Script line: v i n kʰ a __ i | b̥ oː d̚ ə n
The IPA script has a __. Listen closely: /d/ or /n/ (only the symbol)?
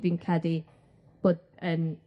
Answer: d